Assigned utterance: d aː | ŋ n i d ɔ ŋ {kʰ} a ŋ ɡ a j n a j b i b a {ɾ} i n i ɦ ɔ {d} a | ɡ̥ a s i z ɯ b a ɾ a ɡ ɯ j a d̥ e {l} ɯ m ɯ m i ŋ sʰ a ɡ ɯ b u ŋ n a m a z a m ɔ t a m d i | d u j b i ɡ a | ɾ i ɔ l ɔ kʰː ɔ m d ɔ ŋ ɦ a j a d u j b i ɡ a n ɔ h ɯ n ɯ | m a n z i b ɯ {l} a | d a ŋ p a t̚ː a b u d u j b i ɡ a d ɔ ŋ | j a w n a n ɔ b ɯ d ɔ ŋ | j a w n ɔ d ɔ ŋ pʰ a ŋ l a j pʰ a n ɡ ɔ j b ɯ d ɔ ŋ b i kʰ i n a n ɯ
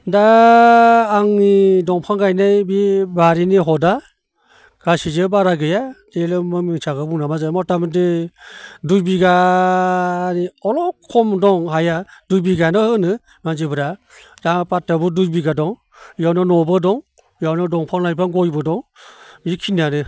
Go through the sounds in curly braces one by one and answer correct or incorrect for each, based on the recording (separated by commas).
incorrect, correct, correct, correct, incorrect